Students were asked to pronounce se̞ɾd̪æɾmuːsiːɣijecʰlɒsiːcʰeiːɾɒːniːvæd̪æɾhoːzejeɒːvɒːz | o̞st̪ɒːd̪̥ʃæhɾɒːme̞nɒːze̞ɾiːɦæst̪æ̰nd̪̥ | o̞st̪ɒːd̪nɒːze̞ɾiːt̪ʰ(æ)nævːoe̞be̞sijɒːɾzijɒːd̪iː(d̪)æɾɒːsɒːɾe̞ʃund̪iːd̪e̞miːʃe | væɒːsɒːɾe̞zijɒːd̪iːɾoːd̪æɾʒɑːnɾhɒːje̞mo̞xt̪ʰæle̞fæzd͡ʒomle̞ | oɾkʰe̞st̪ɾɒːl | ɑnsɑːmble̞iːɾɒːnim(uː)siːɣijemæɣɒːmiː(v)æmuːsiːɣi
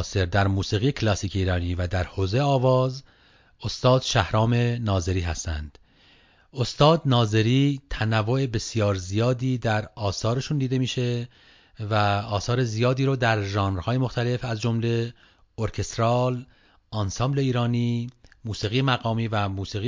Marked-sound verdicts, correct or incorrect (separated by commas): correct, correct, correct, correct